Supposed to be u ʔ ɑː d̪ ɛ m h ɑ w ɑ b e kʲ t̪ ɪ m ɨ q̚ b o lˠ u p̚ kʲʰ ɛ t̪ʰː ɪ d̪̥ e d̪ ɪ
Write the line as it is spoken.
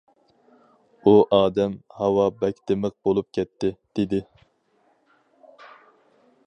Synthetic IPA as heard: u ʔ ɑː d̪ ɛ m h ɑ w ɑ b ɛ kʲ t̪ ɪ m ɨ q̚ b o lˠ u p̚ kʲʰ ɛ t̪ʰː ɪ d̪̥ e d̪ ɪ